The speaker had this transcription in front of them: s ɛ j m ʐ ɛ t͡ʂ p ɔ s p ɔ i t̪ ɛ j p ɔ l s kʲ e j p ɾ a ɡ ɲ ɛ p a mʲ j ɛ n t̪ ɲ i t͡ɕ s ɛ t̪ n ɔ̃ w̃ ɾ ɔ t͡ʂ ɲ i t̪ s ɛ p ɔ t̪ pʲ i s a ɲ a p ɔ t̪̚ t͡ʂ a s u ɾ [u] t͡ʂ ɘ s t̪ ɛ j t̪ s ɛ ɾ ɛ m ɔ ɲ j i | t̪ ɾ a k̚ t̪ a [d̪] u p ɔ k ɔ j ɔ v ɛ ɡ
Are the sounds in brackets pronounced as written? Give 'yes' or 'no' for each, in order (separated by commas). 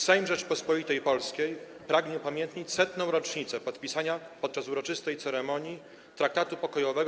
no, no